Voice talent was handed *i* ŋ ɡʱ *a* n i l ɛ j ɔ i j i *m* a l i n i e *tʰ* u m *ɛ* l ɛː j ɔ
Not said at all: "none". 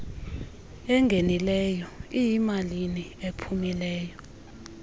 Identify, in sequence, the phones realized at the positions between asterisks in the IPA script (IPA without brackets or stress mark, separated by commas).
ɛ, e, m, pʰ, i